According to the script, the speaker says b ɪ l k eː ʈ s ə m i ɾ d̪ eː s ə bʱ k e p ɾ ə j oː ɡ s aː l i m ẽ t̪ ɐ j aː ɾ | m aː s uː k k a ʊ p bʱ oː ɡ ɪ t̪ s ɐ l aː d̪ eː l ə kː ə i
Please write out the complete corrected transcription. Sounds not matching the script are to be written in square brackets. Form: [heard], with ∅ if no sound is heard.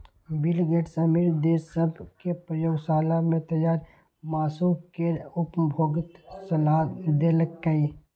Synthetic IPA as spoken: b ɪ l [ɡ] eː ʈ s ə m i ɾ d̪ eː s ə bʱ k e p ɾ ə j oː ɡ s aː l [a] m ẽ t̪ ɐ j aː ɾ | m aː s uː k k [e] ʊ p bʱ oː ɡ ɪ t̪ s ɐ l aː d̪ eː l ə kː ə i

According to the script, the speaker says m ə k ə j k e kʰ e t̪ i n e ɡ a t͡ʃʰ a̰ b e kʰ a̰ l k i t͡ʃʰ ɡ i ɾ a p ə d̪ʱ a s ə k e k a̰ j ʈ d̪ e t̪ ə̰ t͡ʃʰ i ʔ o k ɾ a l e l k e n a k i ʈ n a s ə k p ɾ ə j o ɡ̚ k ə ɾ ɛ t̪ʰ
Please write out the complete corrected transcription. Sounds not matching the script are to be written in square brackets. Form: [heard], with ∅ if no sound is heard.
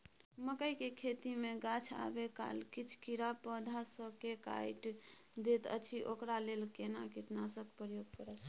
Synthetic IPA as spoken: m ə k ə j k e kʰ e t̪ i [m] e ɡ a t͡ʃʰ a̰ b e [k] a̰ l k i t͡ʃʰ [k] i ɾ a p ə d̪ʱ a s ə k e k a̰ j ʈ d̪ e t̪ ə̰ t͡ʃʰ i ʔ o k ɾ a l e l k e n a k i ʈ n a s ə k p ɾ ə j o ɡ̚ k ə ɾ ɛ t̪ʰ

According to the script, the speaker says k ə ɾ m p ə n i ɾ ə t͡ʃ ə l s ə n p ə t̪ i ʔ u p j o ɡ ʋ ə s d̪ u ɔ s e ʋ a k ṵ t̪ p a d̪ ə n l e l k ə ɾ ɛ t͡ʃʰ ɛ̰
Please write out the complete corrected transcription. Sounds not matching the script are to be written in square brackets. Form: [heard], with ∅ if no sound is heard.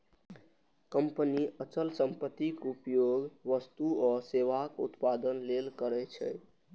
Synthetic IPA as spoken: k ə [∅] m p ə n i [∅] ə t͡ʃ ə l s ə [m] p ə t̪ i [k] u p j o ɡ ʋ ə s [t̪] u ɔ s e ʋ a k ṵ t̪ p a d̪ ə n l e l k ə ɾ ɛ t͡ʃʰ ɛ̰

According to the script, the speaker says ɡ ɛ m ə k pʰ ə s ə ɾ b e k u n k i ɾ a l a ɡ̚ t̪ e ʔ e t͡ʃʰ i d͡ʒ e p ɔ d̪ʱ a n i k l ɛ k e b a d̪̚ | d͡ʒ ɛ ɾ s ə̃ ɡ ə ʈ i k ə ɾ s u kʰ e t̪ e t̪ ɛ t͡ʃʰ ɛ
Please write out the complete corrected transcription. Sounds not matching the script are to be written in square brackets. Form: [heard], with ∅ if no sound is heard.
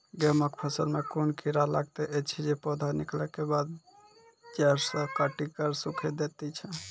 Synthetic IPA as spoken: ɡ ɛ m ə k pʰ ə s ə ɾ [m] e k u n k i ɾ a l a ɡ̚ t̪ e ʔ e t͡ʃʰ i d͡ʒ e p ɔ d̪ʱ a n i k l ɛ k e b a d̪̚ | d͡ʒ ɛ ɾ s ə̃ [k] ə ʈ i k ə ɾ s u kʰ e [d̪] e t̪ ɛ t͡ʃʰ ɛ

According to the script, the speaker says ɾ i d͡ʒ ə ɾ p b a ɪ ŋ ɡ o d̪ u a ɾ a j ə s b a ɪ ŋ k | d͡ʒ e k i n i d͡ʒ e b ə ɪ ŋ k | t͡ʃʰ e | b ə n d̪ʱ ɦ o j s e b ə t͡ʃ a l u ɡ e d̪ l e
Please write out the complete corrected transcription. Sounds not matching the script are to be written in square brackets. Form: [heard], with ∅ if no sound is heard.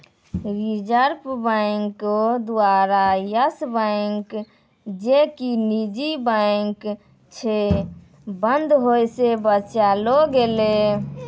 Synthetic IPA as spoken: ɾ i d͡ʒ ə ɾ p b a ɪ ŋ [k] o d̪ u a ɾ a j ə s b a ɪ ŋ k | d͡ʒ e k i n i d͡ʒ [i] b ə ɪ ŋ k | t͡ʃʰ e | b ə n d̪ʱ ɦ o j s e b ə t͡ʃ a l [o] ɡ e [∅] l e

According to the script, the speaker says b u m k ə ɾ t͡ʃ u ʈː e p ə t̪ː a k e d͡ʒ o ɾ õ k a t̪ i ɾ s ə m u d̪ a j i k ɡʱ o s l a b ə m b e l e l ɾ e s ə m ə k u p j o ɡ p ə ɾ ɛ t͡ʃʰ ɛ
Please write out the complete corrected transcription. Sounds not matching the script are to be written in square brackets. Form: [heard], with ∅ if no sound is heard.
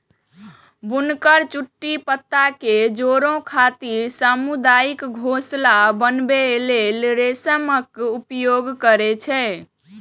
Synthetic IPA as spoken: b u [n] k ə ɾ t͡ʃ u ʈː [i] p ə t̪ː a k e d͡ʒ o ɾ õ [kʰ] a t̪ i ɾ s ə m u d̪ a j i k ɡʱ o s l a b ə [n] b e l e l ɾ e s ə m ə k u p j o ɡ [k] ə ɾ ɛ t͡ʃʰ ɛ

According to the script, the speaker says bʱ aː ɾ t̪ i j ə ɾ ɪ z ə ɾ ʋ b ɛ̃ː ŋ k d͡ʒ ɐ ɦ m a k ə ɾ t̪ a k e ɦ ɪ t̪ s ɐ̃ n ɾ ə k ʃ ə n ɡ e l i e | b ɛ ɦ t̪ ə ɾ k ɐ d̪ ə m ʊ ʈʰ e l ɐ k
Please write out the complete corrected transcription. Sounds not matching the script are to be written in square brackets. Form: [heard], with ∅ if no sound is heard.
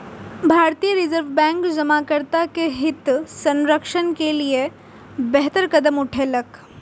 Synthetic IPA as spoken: bʱ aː ɾ t̪ i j ə ɾ ɪ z ə ɾ ʋ b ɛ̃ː ŋ k d͡ʒ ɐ [∅] m a k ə ɾ t̪ a k e ɦ ɪ t̪ s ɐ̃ n ɾ ə k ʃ ə n [k] e l i e | b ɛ ɦ t̪ ə ɾ k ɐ d̪ ə m ʊ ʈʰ e l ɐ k

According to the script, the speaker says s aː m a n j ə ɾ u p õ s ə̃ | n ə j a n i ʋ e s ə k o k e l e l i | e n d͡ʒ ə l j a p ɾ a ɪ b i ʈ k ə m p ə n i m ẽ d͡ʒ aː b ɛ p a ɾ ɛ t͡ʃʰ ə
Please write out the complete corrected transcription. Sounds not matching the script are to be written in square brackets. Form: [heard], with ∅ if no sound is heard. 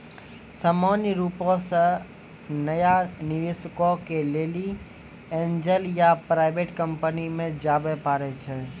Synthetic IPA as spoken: s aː m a n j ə ɾ u p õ s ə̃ | n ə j a n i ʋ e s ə k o k e l e l i | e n d͡ʒ ə l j a p ɾ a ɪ b [e] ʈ k ə m p ə n i m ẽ d͡ʒ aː b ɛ p a ɾ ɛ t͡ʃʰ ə

